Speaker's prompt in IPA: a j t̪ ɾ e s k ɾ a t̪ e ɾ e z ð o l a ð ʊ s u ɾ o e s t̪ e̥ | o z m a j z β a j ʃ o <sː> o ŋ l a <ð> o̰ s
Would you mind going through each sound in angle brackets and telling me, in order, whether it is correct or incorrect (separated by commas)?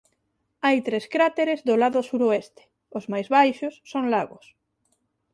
correct, incorrect